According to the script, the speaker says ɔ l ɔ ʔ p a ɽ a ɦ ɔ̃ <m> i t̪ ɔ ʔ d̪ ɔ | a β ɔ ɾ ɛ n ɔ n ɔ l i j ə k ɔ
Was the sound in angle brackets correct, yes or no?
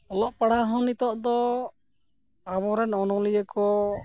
no